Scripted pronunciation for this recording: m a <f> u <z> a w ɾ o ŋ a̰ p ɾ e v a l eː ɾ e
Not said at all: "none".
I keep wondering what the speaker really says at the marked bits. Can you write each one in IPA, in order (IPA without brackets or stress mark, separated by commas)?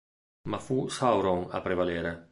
f, s